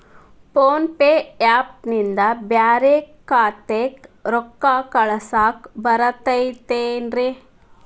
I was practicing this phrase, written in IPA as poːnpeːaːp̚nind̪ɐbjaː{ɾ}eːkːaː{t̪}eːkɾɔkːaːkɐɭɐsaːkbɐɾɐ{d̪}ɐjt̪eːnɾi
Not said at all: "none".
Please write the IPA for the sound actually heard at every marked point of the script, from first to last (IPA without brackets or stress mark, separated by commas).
ɾ, t̪, t̪